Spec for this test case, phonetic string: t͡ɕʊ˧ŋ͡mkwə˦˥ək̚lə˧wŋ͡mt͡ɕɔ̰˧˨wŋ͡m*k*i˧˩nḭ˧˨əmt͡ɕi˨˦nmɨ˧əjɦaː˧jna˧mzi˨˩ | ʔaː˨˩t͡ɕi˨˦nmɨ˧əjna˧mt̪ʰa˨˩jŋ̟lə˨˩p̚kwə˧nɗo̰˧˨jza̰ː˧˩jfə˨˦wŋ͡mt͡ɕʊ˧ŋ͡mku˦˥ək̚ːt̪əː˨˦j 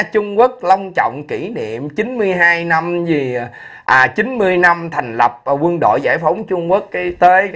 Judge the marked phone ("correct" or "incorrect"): correct